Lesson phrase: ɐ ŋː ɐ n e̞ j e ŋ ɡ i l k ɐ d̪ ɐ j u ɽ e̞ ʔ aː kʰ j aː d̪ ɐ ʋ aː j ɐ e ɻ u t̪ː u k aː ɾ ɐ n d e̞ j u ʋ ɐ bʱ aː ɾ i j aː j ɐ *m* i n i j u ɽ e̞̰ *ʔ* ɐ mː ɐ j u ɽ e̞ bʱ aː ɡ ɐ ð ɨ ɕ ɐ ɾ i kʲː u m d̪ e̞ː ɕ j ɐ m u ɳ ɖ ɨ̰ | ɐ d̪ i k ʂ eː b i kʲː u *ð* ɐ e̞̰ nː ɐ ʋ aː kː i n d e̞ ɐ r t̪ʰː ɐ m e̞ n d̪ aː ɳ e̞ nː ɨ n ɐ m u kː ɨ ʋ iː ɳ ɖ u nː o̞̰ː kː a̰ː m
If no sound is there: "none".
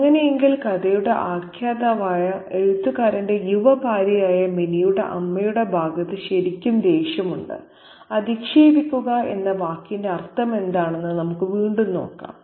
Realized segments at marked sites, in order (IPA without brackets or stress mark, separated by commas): m, ʔ, ɣ